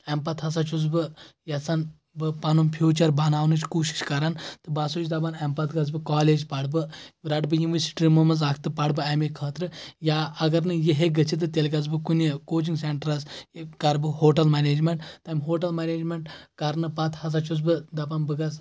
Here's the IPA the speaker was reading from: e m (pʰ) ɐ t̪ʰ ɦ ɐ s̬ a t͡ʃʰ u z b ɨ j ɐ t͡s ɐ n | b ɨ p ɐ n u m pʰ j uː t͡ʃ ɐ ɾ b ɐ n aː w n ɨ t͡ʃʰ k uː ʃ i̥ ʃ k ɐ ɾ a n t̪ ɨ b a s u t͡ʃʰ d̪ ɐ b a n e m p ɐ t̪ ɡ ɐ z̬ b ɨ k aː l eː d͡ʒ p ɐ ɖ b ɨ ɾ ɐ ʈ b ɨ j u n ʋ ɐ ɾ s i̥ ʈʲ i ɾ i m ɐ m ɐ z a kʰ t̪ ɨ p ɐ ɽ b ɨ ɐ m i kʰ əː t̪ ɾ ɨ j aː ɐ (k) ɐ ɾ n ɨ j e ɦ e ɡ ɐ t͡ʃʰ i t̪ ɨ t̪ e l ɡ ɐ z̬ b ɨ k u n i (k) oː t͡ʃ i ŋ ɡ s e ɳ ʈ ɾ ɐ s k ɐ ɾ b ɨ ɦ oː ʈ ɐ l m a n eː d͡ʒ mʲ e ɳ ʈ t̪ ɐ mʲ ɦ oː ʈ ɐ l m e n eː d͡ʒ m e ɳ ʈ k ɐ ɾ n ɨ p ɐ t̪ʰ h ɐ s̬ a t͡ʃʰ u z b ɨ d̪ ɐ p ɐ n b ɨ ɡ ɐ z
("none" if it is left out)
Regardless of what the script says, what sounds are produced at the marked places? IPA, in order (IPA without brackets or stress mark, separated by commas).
p, ɡ, k